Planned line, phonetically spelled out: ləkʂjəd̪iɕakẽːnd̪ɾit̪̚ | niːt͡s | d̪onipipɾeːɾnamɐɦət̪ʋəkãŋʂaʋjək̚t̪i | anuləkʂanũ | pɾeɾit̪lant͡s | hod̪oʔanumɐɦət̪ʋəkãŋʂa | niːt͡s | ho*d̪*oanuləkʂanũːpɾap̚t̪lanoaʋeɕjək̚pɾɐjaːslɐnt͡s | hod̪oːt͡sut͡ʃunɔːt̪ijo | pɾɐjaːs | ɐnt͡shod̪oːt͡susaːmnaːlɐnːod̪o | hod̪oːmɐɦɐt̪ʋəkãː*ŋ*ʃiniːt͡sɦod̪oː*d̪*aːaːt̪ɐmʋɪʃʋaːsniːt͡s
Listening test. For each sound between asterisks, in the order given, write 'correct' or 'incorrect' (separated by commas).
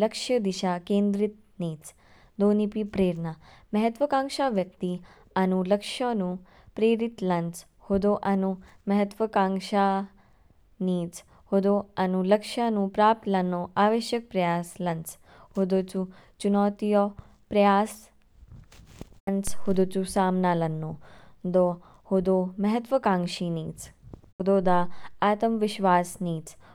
correct, correct, correct